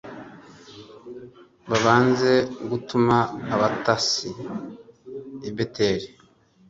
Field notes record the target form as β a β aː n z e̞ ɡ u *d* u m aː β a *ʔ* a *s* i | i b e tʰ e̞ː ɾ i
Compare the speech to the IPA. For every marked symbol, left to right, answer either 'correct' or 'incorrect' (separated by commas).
incorrect, incorrect, correct